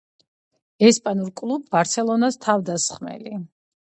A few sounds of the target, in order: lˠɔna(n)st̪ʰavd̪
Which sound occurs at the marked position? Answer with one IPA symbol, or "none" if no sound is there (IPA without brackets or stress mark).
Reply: none